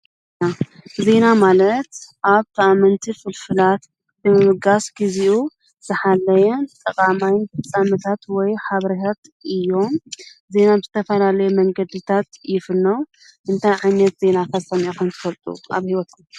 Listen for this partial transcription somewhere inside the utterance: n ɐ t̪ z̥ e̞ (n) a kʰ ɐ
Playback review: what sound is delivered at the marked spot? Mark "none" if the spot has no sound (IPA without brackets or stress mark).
n